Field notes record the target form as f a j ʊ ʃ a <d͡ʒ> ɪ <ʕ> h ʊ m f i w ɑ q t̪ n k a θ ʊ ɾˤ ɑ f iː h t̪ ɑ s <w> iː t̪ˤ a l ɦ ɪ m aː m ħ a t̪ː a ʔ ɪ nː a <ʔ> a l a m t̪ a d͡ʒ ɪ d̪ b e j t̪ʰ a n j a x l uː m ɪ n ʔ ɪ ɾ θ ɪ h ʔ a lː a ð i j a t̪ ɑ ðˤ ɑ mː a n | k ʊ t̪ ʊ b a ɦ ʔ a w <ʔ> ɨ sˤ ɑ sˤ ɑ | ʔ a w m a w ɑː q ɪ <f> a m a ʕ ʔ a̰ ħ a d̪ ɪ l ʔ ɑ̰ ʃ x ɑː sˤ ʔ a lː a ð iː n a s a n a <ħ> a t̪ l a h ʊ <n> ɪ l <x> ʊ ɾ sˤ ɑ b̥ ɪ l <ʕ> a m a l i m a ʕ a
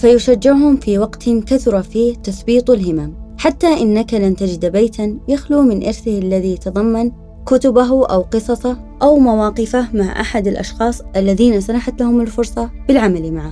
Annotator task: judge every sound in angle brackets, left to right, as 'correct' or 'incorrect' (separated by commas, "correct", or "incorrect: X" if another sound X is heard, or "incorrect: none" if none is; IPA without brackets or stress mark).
incorrect: d͡ʒː, correct, incorrect: b, incorrect: k, incorrect: q, correct, correct, incorrect: m, incorrect: f, correct